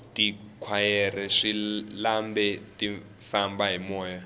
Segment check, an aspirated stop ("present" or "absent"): present